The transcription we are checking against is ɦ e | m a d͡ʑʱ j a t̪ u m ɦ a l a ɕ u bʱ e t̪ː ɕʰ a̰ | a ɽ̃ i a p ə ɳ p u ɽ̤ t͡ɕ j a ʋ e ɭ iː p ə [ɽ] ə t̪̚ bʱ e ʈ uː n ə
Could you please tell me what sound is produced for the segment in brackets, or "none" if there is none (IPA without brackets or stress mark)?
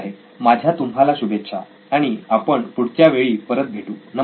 ɾ